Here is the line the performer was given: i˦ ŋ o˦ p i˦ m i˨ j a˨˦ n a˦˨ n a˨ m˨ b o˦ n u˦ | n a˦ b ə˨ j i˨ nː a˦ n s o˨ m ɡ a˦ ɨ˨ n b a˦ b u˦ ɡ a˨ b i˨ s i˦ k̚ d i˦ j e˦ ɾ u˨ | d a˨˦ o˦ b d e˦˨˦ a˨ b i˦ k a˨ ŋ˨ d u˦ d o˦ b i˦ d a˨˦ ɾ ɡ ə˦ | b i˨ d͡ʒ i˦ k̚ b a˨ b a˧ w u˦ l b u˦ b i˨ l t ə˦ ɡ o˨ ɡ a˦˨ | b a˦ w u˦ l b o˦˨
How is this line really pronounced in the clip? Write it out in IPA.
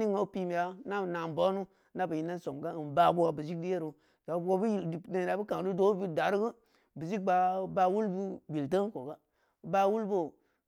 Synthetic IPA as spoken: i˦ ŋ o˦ p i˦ m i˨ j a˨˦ n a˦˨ n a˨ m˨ b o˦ n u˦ | n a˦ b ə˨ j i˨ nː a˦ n s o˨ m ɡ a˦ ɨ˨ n b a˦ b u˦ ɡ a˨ b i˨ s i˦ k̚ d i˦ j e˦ ɾ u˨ | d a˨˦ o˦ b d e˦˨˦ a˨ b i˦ k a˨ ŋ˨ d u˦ d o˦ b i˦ d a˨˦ ɾ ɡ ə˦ | b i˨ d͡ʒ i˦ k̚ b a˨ b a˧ w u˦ l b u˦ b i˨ l t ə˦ k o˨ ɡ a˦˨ | b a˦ w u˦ l b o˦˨